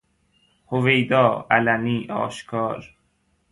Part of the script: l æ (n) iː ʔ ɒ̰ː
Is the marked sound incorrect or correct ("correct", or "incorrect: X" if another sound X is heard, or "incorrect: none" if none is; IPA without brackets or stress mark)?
correct